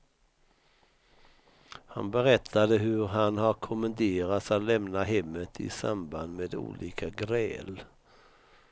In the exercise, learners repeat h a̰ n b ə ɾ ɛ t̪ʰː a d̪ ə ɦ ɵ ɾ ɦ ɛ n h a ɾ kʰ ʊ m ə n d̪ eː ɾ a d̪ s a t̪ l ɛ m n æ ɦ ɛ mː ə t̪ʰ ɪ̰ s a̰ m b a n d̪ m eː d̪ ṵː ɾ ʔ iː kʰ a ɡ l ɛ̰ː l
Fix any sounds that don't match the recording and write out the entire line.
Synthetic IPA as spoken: h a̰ n b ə ɾ ɛ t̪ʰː a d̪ ə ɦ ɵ ɾ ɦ a n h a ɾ kʰ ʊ m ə n d̪ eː ɾ a t̪ s a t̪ l ɛ m n a ɦ ɛ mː ə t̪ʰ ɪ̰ s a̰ m b a n d̪ m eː d̪ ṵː l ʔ iː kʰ a ɡ ɾ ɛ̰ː l